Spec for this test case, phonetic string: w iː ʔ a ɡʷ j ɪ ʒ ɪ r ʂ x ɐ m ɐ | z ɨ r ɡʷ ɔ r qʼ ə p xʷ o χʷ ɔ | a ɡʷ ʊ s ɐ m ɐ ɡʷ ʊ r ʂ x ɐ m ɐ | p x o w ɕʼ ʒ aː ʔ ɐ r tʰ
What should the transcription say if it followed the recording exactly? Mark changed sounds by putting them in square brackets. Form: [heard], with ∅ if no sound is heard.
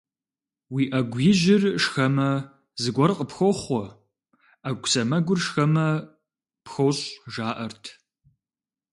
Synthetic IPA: w iː ʔ [ɐ] ɡʷ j ɪ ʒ ɪ r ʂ x ɐ m ɐ | z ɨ [∅] ɡʷ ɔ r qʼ ə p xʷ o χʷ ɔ | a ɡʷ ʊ s ɐ m ɐ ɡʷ ʊ r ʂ x ɐ m ɐ | p x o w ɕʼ ʒ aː ʔ ɐ r tʰ